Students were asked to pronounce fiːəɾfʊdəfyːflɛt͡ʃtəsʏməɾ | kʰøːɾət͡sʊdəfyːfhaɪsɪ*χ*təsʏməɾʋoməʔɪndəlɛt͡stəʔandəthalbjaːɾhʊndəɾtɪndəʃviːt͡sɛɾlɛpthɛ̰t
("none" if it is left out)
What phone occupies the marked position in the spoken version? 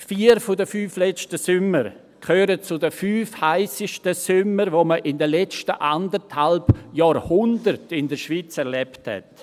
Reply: ʃ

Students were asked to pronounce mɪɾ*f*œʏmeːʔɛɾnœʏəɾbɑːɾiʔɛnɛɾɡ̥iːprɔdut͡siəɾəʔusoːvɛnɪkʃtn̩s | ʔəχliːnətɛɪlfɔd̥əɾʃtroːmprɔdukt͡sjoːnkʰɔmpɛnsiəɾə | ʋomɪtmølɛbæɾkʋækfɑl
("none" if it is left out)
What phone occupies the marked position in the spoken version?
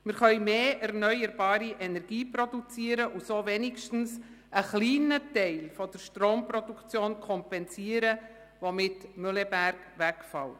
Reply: χ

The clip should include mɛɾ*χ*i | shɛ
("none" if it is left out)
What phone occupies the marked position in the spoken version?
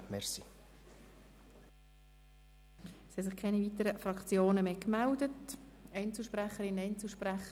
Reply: s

